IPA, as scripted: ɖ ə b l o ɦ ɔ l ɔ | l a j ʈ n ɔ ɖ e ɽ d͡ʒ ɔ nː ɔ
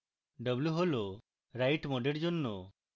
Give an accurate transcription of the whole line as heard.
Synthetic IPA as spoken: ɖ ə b l u ɦ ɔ l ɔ | ɾ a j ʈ m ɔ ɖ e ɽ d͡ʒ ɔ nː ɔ

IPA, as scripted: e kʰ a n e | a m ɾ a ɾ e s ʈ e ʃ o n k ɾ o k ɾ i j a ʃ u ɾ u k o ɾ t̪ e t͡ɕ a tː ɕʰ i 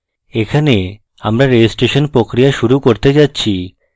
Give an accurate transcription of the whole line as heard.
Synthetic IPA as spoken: e kʰ a n e | a m ɾ a ɾ e s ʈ e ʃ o n p ɾ o k ɾ i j a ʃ u ɾ u k o ɾ t̪ e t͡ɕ a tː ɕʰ i

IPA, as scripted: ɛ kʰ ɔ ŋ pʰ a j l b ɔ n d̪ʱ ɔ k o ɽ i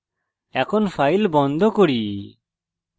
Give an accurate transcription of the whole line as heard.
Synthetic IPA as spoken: ɛ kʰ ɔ n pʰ a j l b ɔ n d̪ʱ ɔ k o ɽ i

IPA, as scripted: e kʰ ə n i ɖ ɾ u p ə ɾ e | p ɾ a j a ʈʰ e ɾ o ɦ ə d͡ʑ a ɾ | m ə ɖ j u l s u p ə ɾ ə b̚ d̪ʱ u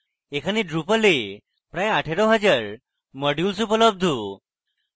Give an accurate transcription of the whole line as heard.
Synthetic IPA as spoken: e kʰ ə n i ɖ ɾ u p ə l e | p ɾ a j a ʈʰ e ɾ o ɦ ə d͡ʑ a ɾ | m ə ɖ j u l s u p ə l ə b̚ d̪ʱ u

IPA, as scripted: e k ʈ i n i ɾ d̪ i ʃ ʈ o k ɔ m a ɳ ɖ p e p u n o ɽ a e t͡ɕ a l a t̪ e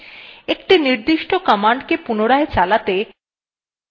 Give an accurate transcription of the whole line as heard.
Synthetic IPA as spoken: e k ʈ i n i ɾ d̪ i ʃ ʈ o k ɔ m a ɳ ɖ k e p u n o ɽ a e t͡ɕ a l a t̪ e

